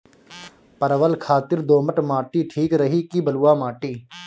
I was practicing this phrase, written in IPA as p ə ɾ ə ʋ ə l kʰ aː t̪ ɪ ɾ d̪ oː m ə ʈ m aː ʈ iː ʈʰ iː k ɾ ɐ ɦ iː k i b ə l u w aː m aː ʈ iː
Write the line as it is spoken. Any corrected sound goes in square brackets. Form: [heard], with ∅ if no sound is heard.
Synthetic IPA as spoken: p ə ɾ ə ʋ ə l kʰ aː t̪ ɪ ɾ d̪ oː m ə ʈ m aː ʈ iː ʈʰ iː k ɾ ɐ ɦ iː k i b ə l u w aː m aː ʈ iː